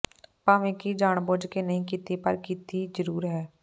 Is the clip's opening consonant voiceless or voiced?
voiceless